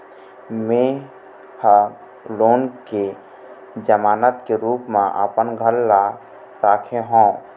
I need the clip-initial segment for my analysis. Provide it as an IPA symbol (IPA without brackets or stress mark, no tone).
m